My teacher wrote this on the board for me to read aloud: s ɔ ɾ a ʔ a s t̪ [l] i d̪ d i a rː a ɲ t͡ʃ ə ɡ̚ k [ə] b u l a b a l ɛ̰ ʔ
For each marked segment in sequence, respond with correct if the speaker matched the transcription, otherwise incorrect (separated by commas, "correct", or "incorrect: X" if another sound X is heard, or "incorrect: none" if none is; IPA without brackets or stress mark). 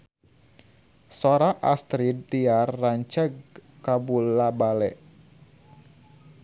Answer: incorrect: ɾ, incorrect: a